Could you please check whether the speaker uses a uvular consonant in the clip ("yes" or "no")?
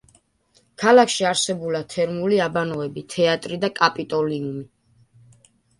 no